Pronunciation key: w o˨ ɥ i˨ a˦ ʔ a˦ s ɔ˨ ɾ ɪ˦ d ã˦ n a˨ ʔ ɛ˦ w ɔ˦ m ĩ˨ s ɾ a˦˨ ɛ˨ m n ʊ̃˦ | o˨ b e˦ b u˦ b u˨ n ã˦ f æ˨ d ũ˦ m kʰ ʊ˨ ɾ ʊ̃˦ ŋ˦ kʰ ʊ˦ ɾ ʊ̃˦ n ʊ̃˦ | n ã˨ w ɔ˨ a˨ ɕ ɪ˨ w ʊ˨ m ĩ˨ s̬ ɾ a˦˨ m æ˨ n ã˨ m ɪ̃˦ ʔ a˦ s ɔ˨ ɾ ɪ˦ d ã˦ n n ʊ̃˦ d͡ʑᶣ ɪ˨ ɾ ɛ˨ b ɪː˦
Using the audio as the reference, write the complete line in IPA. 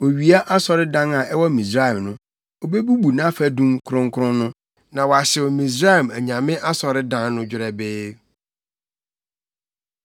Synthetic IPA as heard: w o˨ ɥ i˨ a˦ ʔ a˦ s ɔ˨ ɾ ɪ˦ d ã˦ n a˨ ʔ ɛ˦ w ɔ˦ m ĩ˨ s ɾ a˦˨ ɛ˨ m n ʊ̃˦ | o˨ b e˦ b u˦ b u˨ n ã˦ f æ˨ d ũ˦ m kʰ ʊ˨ ɾ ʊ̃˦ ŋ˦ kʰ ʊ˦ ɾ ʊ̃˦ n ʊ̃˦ | n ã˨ w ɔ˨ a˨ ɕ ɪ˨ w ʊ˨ m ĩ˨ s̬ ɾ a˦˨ m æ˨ ɲ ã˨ m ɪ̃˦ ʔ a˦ s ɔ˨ ɾ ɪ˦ d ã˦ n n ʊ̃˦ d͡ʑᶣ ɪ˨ ɾ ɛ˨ b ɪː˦